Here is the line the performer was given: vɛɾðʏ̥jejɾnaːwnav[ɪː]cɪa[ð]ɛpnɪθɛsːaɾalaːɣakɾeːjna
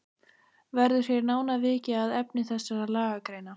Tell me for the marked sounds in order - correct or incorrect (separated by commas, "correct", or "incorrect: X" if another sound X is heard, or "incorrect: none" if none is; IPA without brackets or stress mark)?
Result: correct, correct